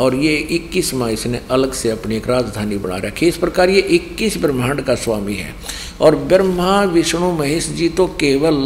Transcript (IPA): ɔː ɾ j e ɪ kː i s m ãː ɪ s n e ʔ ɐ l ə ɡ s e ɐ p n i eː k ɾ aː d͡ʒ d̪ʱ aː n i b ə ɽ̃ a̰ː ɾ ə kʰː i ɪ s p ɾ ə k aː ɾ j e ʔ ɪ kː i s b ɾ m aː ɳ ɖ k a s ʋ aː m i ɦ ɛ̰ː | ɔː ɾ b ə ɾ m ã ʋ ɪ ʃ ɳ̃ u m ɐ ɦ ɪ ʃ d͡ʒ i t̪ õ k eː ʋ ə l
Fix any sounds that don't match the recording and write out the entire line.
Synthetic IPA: ɔː ɾ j e ɪ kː i s m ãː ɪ s n e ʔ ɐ l ə ɡ s e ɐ p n i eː k ɾ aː d͡ʒ d̪ʱ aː n i b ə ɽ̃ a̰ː ɾ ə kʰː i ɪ s p ɾ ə k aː ɾ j e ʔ ɪ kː i s b ɾ m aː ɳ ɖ k a s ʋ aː m i ɦ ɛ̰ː | ɔː ɾ b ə ɾ m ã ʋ ɪ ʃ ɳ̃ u m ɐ ɦ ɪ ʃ d͡ʒ i t̪ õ k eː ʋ ə l